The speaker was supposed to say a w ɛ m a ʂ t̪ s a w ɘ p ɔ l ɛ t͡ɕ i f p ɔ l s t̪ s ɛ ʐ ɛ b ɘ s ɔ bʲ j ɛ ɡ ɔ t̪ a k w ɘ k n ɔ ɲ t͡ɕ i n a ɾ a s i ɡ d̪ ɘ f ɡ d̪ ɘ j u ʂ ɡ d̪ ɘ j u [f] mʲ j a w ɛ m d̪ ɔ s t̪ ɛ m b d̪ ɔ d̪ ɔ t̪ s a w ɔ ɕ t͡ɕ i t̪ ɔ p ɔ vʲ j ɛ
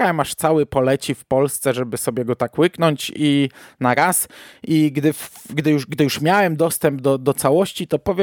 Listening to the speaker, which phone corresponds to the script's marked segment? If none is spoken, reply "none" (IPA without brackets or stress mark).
ʂ